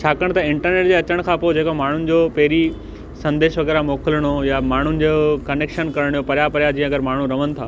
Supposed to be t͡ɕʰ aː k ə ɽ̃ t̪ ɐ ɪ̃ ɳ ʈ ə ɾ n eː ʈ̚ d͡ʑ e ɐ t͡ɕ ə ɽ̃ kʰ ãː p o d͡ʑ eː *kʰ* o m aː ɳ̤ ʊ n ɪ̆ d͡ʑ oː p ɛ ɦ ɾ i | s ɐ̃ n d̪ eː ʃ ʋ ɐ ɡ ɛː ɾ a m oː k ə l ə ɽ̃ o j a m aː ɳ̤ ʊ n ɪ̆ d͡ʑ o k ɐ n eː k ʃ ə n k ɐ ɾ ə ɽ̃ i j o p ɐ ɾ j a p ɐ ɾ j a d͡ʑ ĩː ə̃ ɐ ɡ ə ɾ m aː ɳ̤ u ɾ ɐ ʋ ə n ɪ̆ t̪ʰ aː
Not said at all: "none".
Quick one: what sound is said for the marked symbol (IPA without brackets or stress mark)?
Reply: k